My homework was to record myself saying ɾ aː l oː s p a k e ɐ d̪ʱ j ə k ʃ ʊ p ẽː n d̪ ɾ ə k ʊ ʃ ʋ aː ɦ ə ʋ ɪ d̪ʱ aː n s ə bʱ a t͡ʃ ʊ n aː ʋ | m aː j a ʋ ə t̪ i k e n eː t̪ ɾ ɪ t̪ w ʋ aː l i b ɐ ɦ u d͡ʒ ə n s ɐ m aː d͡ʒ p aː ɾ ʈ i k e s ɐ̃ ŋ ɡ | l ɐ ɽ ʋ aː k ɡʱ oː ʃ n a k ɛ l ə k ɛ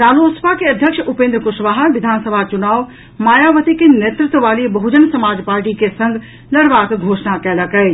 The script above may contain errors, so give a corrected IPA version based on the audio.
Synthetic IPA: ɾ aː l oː s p a k e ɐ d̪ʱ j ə k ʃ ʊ p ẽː n d̪ ɾ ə k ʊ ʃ ʋ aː ɦ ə ʋ ɪ d̪ʱ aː n s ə bʱ a t͡ʃ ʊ n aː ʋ | m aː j a ʋ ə t̪ i k e n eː t̪ ɾ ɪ t̪ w ʋ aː l i b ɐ ɦ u d͡ʒ ə n s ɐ m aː d͡ʒ p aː ɾ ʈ i k e s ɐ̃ ŋ ɡ | l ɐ ɽ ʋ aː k ɡʱ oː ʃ n a k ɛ l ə k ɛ